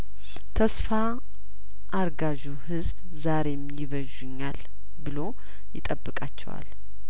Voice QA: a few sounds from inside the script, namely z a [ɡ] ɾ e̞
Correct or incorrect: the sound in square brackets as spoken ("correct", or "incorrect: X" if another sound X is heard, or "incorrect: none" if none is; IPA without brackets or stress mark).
incorrect: none